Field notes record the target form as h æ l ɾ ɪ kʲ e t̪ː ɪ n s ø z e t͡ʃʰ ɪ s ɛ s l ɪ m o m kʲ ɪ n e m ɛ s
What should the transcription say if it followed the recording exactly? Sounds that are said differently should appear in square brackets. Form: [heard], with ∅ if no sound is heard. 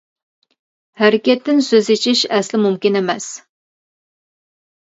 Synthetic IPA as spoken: h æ [∅] ɾ ɪ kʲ [ɛ] t̪ː ɪ n s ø z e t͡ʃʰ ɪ [ʃ] ɛ s l ɪ m [u] m kʲ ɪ n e m ɛ s